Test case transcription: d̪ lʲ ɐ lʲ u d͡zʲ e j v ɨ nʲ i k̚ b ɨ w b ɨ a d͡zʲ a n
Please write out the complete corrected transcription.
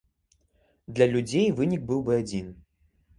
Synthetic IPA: d̪ lʲ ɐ lʲ u d͡zʲ e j v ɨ nʲ i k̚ b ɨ w b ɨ a d͡zʲ i n